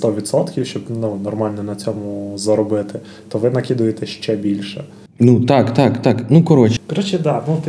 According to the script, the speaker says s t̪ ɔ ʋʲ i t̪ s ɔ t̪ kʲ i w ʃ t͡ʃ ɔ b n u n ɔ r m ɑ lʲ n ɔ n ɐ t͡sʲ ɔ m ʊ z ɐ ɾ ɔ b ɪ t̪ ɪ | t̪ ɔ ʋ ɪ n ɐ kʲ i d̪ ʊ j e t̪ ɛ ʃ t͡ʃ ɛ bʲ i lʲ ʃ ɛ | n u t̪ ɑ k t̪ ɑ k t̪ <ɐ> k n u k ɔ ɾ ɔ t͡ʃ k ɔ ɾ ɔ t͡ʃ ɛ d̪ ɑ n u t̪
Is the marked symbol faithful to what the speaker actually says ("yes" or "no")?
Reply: no